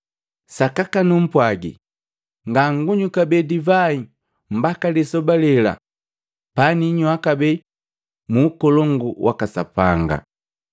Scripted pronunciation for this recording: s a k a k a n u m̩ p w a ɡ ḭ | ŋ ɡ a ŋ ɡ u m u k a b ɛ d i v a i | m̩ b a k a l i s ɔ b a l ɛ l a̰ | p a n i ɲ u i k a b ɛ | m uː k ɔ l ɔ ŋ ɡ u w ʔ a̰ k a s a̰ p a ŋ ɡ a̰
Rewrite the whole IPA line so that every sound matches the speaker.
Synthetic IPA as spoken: s a k a k a n u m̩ p w a ɡ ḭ | ŋ ɡ a ŋ ɡ u ɲ u k a b ɛ d i v a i | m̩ b a k a l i s ɔ b a l ɛ l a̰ | p a n i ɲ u a k a b ɛ | m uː k ɔ l ɔ ŋ ɡ u w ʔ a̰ k a s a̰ p a ŋ ɡ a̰

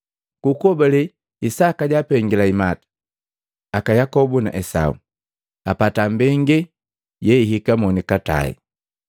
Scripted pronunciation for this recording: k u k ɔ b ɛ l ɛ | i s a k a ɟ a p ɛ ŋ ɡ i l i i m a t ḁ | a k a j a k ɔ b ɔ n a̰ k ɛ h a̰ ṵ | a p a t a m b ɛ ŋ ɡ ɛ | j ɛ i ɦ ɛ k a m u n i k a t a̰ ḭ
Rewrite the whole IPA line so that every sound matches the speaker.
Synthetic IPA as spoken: k u k ɔ b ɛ l ɛ | i s a k a ɟ a p ɛ ŋ ɡ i l a i m a t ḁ | a k a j a k ɔ b u n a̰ ʔ ɛ s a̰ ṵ | a p a t a m b ɛ ŋ ɡ ɛ | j ɛ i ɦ i k a m ɔ n i k a t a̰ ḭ

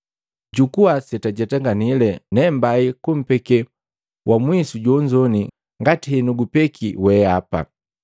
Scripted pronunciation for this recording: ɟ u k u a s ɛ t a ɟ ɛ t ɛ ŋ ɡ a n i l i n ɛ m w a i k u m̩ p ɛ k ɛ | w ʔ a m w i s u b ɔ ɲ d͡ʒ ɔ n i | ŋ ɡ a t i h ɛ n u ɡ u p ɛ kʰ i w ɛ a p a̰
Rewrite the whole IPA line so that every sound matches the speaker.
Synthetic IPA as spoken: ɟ u k u a s ɛ t a ɟ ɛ t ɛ ŋ ɡ a n i l ɛ n ɛ m b a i k u m̩ p ɛ k ɛ | w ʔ a m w i s u ɟ ɔ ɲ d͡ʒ ɔ n i | ŋ ɡ a t i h ɛ n u ɡ u p ɛ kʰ i w ɛ a p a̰

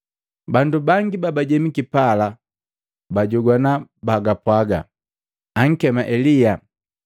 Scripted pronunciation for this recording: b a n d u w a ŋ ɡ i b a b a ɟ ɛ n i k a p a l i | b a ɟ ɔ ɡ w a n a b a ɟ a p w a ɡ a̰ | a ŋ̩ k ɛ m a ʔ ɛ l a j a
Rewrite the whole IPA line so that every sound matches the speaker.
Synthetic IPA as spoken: b a n d u b a ŋ ɡ i b a b a ɟ ɛ m i k i p a l a | b a ɟ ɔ ɡ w a n a b a ɡ a p w a ɡ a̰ | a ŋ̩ k ɛ m a ʔ ɛ l i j a

